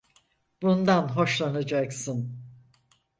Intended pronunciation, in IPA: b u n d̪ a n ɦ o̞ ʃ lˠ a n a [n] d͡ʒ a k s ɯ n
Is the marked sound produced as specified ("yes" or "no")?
no